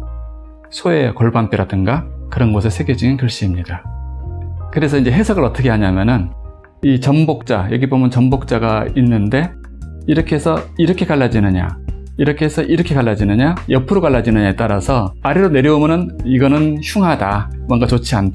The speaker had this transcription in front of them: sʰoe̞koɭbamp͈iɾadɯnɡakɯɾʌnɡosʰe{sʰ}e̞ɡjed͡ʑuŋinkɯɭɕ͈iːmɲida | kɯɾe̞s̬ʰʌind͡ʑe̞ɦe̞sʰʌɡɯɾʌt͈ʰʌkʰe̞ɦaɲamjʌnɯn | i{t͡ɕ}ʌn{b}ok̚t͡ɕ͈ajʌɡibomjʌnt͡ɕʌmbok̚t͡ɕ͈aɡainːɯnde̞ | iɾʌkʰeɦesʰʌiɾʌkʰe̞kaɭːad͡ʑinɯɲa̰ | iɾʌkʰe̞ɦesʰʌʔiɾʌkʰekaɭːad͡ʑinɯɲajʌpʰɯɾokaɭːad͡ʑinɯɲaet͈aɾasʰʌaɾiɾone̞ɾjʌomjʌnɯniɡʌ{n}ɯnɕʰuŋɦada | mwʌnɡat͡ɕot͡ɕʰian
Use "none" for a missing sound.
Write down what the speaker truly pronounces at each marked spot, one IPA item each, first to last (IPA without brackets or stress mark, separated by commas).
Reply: sʰ, t͡ɕ, b, n